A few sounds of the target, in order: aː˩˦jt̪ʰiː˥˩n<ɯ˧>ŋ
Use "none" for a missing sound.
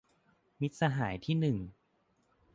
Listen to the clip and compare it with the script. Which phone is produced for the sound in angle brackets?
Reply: ɯ˨˩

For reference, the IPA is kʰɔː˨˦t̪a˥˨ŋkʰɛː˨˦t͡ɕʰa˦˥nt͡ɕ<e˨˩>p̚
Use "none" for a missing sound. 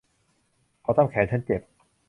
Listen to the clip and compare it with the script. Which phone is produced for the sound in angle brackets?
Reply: e˨˩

